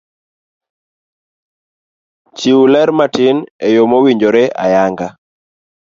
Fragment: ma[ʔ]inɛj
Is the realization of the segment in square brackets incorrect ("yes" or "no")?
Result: yes